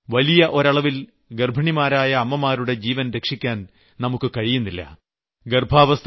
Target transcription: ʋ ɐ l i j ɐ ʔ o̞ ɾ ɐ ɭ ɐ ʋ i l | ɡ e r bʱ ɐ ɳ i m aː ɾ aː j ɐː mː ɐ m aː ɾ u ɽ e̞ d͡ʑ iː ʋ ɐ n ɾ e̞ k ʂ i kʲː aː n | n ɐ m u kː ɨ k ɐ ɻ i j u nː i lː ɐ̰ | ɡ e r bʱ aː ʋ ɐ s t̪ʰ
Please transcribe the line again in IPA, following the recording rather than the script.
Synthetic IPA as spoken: ʋ ɐ l i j ɐ ʔ o̞ ɾ ɐ ɭ ɐ ʋ i l | ɡ e r bʱ ɐ ɳ i m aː ɾ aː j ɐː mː ɐ m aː ɾ u ɽ e̞ d͡ʑ iː ʋ ɐ n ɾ e̞ k ʂ i kʲː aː n | n ɐ m u kː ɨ k ɐ ɻ i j u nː i lː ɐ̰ | ɡ e r bʱ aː ʋ ɐ s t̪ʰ